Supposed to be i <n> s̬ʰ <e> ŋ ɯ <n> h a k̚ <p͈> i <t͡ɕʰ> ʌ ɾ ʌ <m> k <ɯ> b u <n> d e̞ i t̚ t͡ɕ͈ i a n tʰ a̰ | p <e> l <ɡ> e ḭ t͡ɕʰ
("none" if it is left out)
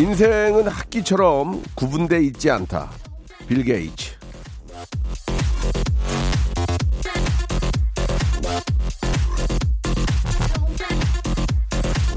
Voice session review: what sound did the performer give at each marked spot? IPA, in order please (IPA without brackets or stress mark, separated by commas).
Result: n, e, n, k͈, t͡ɕʰ, m, u, n, i, ɡ